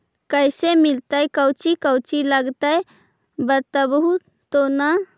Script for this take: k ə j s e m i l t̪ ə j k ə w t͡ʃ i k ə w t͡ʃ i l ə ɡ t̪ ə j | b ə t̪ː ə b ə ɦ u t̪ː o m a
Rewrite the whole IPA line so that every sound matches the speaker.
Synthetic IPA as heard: k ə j s e m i l t̪ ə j k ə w t͡ʃ i k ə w t͡ʃ i l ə ɡ t̪ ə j | b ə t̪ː ə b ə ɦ u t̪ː o n a